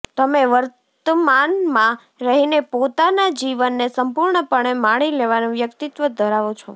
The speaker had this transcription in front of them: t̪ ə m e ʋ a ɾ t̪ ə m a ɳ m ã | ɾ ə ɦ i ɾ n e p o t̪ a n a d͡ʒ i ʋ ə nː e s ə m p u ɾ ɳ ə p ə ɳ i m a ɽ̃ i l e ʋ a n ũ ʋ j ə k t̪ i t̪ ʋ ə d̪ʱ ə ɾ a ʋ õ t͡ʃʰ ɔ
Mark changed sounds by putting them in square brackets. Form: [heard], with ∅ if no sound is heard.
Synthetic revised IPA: t̪ ə m e ʋ [ə] ɾ t̪ ə m a [n] m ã | ɾ ə ɦ i [∅] n e p o t̪ a n a d͡ʒ i ʋ ə nː e s ə m p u ɾ ɳ ə p ə ɳ [e] m a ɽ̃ i l e ʋ a n ũ ʋ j ə k t̪ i t̪ ʋ ə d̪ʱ ə ɾ a ʋ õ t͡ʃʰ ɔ

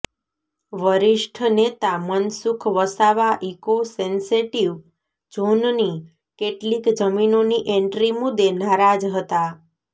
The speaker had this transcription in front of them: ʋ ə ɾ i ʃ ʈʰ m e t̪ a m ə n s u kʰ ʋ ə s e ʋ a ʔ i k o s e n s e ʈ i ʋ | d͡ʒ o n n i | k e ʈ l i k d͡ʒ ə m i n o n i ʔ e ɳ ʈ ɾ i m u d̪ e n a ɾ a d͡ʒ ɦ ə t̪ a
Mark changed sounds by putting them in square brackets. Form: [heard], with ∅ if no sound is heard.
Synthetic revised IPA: ʋ ə ɾ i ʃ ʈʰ [n] e t̪ a m ə n s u kʰ ʋ ə s [a] ʋ a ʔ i k o s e n s e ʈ i ʋ | d͡ʒ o n n i | k e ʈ l i k d͡ʒ ə m i n o n i ʔ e ɳ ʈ ɾ i m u d̪ e n a ɾ a d͡ʒ ɦ ə t̪ a

